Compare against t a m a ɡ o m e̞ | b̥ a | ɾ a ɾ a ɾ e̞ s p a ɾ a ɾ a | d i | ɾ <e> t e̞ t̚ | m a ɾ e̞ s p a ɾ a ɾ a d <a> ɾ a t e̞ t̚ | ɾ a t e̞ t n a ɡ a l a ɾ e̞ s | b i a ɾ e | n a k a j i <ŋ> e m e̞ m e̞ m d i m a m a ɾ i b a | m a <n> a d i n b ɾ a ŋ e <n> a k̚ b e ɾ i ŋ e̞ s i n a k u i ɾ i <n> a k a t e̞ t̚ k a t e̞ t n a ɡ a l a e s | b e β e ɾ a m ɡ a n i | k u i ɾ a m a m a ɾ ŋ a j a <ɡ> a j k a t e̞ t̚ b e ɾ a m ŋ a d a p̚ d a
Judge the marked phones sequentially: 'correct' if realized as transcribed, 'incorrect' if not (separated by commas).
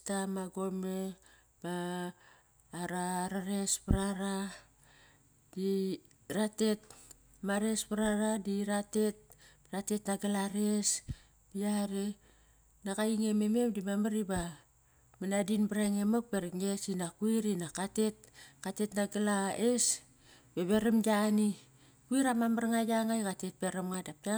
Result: incorrect, incorrect, correct, correct, incorrect, correct, incorrect